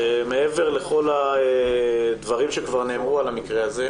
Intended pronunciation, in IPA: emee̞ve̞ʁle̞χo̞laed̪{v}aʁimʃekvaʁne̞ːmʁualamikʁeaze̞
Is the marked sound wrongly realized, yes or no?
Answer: no